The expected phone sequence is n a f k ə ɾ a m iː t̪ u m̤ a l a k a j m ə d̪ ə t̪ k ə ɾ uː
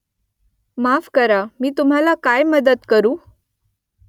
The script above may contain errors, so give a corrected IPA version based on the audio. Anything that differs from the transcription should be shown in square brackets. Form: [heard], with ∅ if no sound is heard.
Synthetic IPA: [m] a f k ə ɾ a m iː t̪ u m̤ a l a k a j m ə d̪ ə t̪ k ə ɾ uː